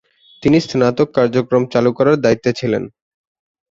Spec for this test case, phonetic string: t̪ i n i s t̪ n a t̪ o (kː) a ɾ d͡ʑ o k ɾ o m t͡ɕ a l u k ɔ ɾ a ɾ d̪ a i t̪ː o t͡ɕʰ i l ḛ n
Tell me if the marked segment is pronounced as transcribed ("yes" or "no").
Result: yes